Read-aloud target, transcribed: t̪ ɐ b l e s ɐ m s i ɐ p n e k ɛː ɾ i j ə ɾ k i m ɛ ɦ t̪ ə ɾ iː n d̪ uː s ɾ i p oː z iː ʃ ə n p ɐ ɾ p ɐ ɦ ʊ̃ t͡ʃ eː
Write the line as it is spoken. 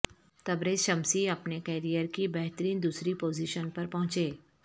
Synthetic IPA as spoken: t̪ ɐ b ɾ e ʃ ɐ m s i ɐ p n e k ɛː ɾ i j ə ɾ k i b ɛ ɦ t̪ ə ɾ iː n d̪ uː s ɾ i p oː z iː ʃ ə n p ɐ ɾ p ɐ ɦ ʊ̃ t͡ʃ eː